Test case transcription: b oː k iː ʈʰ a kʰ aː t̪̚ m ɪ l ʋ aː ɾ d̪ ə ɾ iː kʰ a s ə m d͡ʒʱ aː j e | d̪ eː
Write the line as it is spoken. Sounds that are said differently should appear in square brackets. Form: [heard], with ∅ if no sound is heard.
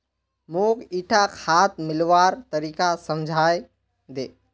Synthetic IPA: [m] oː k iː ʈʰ a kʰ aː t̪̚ m ɪ l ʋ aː ɾ [t̪] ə ɾ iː [k] a s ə m d͡ʒʱ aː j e | d̪ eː